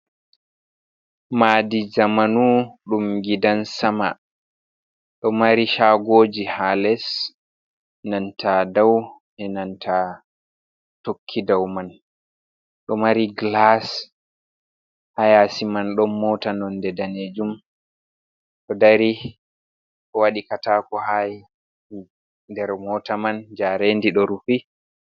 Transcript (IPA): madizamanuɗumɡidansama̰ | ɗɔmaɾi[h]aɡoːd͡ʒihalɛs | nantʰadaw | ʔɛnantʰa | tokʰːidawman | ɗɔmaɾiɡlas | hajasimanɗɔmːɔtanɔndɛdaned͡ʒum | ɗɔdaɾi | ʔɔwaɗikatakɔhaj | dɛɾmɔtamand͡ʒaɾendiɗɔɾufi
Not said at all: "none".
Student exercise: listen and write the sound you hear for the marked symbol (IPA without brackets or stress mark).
ʃ